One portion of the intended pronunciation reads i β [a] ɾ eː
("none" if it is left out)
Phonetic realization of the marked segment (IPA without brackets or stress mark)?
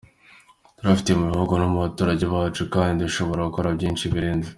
i